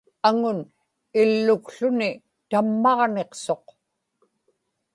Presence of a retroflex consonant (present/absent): absent